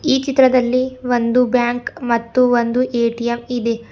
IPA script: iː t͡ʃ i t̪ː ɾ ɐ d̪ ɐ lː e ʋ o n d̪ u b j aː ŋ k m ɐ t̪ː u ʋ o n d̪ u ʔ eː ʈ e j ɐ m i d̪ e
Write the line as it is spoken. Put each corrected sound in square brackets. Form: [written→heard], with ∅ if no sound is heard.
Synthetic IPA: iː t͡ʃ i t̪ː ɾ ɐ d̪ ɐ lː [e→i] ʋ o n d̪ u b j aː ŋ k m ɐ t̪ː u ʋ o n d̪ u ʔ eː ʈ [e→i] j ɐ m i d̪ e